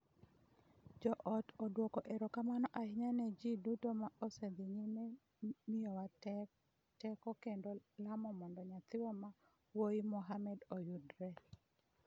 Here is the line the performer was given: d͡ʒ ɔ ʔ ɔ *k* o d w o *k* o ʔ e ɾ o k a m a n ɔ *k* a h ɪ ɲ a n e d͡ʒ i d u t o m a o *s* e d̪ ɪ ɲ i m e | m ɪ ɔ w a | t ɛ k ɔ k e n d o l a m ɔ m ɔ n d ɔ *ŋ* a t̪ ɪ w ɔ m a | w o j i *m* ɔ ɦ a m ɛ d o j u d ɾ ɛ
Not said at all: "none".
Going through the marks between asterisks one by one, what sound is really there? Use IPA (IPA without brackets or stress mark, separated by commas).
t, k, ʔ, s, ɲ, m